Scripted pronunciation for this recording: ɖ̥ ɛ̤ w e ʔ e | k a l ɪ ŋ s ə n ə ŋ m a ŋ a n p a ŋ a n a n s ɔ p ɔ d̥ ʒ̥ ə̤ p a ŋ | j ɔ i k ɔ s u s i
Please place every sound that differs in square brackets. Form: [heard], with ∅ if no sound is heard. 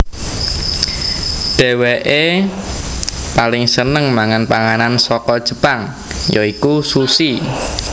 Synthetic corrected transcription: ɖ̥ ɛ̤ w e ʔ e | [p] a l ɪ ŋ s ə n ə ŋ m a ŋ a n p a ŋ a n a n s ɔ [k] ɔ d̥ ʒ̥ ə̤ p a ŋ | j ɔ i k [u] s u s i